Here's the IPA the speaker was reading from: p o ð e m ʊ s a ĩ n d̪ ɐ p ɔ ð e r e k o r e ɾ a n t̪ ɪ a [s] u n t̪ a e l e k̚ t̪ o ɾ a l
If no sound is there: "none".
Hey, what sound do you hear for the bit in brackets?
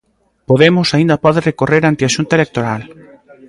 ʃ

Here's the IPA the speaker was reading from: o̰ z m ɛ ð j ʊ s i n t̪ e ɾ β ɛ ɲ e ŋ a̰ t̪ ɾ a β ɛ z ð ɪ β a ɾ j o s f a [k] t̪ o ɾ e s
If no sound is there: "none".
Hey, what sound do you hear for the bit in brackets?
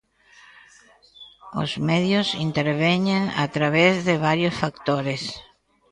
k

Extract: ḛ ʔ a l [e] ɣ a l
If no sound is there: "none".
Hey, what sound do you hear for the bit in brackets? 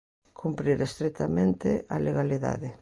e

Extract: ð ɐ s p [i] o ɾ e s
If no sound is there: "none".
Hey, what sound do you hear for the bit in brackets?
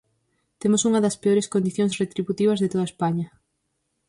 e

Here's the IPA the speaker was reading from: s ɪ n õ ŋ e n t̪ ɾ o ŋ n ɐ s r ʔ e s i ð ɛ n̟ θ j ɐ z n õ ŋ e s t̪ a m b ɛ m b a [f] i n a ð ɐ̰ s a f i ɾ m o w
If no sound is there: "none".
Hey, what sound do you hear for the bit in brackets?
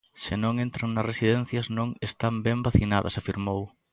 θ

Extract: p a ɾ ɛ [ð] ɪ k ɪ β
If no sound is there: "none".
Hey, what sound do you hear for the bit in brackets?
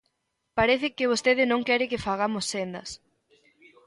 θ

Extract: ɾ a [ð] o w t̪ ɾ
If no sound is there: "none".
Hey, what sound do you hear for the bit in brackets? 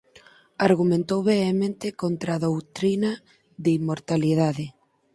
ð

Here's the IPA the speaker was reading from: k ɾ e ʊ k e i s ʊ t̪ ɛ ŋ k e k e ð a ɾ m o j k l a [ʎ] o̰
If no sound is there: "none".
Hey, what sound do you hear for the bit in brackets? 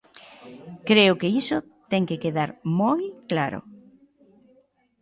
ɾ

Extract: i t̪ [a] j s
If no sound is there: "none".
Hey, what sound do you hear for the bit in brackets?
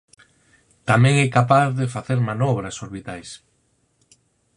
a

